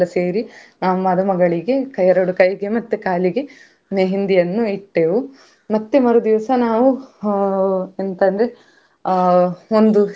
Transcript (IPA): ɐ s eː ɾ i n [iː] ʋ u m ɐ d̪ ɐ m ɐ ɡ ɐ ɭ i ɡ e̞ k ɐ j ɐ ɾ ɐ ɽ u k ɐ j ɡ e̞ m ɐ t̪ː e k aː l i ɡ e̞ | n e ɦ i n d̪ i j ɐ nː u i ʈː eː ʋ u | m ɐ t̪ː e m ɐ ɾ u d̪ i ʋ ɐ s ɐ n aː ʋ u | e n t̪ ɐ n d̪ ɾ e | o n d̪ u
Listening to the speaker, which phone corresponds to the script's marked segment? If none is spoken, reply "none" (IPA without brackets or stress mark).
aː